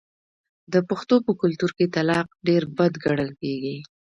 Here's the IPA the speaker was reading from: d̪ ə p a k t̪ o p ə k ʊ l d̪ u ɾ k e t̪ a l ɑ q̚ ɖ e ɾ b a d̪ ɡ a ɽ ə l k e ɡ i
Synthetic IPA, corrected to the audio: d̪ ə p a x t̪ o p ə k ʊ l t̪ u ɾ k e t̪ a l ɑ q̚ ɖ e ɾ b a d̪ ɡ a ɽ ə l k e ɡ i